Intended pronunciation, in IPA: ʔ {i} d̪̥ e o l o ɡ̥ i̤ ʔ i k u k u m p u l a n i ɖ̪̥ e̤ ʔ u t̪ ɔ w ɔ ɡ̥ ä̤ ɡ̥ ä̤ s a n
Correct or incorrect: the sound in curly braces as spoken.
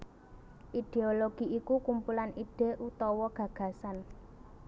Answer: correct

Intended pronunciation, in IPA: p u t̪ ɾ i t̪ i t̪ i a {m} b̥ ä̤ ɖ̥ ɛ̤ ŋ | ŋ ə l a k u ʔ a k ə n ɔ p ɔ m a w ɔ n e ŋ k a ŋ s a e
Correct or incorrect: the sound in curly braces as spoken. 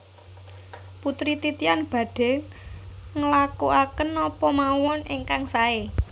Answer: incorrect: n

